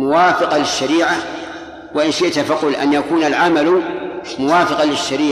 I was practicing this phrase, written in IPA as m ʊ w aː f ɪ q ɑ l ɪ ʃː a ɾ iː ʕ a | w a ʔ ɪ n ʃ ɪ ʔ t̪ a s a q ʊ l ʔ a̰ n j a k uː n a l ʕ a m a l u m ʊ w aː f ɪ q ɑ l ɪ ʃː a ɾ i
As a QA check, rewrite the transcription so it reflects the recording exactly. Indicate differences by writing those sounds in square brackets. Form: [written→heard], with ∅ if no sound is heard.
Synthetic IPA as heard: m ʊ w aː f ɪ q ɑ l ɪ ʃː a ɾ iː ʕ a | w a ʔ ɪ n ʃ ɪ ʔ t̪ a [s→f] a q ʊ l ʔ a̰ n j a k uː n a l ʕ a m a l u m ʊ w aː f ɪ q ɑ l ɪ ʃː a ɾ [i→iː]